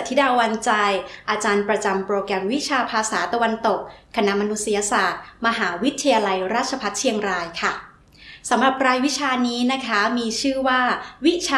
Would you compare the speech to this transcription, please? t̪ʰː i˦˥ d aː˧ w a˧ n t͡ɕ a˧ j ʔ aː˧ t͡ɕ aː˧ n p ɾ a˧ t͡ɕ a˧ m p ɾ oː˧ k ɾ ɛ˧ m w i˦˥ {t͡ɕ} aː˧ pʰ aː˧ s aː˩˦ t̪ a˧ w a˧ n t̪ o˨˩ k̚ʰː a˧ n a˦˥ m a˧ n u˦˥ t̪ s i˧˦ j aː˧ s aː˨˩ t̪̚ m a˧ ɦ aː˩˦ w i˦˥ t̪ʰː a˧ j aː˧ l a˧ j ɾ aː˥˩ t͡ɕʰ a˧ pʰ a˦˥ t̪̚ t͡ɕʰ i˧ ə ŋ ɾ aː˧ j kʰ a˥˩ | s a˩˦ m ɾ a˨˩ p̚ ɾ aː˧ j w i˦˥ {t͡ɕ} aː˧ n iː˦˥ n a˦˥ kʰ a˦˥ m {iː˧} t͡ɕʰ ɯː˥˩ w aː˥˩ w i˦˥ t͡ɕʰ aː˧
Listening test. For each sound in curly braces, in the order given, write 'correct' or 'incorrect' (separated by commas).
incorrect, incorrect, correct